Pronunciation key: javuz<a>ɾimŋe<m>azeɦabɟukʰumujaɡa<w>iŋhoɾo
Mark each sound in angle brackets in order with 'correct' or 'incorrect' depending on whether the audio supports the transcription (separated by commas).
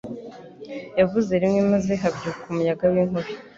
incorrect, correct, correct